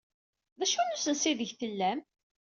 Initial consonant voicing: voiced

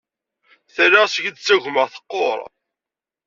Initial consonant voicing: voiceless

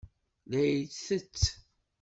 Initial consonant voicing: voiced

